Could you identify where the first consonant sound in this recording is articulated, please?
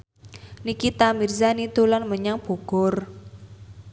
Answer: alveolar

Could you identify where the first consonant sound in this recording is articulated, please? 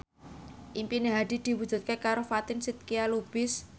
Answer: glottal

